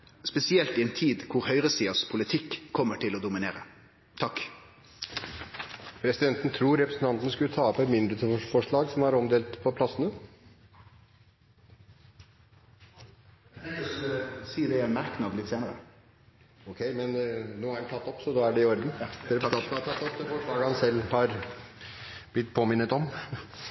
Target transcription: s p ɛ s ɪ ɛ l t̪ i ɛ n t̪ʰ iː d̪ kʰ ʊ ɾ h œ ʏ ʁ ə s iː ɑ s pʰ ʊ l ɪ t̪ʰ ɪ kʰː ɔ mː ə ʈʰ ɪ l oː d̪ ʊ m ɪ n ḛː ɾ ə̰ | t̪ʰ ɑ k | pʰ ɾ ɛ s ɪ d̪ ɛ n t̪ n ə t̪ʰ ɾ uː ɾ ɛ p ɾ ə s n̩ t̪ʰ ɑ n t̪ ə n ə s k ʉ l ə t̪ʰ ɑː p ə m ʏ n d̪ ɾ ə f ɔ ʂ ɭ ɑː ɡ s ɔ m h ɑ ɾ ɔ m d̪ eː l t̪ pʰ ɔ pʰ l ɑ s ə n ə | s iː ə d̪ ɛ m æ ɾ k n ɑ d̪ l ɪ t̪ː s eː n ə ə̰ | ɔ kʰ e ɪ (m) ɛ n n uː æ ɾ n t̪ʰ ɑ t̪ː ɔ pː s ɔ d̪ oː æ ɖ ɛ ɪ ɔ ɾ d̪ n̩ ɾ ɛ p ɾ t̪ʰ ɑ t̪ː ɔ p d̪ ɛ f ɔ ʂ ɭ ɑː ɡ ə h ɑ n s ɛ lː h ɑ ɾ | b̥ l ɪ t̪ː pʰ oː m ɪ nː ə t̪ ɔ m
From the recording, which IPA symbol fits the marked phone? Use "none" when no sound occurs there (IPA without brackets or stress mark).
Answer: m